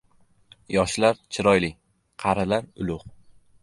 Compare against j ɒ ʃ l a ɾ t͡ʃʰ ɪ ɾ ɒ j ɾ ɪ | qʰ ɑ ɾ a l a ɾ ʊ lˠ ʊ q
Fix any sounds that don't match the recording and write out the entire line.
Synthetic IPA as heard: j ɒ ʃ l a ɾ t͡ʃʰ ɪ ɾ ɒ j l ɪ | qʰ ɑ ɾ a l a ɾ ʊ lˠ ʊ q